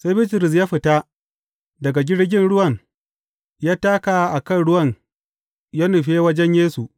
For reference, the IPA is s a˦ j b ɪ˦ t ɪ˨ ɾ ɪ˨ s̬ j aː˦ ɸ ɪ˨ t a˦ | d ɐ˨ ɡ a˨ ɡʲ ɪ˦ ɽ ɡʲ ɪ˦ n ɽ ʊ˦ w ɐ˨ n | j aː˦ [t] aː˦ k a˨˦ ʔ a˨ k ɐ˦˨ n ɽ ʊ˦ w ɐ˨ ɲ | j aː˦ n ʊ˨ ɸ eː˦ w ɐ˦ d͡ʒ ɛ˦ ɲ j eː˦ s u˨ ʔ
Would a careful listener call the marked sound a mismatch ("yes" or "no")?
no